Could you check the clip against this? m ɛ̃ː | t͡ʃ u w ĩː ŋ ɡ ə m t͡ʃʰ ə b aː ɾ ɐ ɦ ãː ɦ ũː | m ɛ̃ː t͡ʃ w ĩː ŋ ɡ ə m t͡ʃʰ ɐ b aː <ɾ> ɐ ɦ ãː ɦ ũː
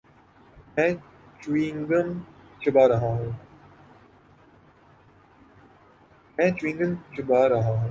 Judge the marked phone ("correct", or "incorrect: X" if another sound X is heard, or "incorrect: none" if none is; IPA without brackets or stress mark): correct